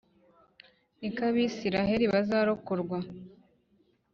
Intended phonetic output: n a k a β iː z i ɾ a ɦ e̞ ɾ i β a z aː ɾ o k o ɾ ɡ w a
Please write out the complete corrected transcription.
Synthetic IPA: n i k a β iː s i ɾ a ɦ e̞ ɾ i β a z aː ɾ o k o ɾ ɡ w a